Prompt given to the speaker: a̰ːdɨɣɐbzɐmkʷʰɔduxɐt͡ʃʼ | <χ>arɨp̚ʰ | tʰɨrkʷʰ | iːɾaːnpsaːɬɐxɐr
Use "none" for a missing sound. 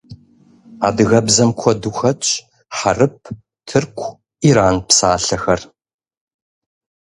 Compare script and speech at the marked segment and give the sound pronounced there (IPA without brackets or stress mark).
ħ